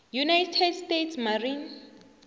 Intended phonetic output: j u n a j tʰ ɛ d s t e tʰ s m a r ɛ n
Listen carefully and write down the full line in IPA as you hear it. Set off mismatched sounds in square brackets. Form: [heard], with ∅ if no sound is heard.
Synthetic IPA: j u n a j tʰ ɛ d s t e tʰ s m a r [i] n